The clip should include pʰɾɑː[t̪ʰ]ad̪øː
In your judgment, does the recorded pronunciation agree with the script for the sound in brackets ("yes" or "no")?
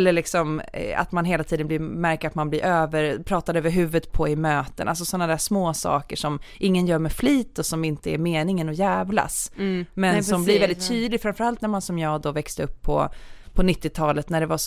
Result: no